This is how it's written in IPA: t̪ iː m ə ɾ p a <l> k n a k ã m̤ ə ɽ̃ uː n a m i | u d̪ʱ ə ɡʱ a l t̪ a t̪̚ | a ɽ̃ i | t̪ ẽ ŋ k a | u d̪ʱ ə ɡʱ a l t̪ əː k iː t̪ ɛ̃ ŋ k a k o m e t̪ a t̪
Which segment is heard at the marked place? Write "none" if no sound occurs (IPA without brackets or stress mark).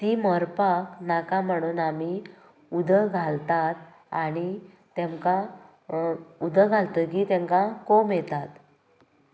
none